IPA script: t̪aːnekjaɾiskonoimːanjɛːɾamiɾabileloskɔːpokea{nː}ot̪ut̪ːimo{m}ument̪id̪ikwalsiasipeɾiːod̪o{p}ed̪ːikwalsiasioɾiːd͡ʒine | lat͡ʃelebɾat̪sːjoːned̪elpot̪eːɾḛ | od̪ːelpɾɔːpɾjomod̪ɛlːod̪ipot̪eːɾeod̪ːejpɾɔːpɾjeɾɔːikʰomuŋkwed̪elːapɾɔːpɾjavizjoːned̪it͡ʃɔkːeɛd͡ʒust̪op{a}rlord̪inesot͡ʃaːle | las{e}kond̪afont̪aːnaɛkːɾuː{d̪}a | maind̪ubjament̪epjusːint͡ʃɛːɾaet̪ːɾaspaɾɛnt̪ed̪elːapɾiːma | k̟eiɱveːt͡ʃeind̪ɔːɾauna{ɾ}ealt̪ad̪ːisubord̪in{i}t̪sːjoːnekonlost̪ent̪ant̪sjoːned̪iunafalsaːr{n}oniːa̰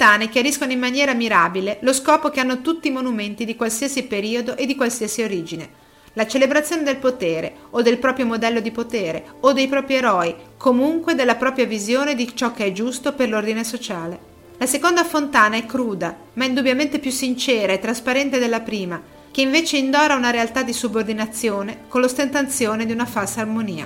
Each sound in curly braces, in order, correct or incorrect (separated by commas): correct, incorrect, incorrect, incorrect, correct, correct, correct, incorrect, incorrect